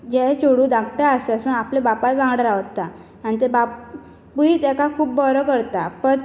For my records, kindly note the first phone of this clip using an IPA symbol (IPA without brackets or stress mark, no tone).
d͡ʑ